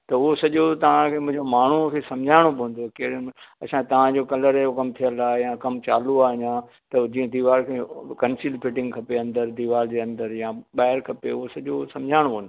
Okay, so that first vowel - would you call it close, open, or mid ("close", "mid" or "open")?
open